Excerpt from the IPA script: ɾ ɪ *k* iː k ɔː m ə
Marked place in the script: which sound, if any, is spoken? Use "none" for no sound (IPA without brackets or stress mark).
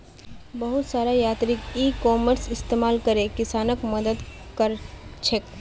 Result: k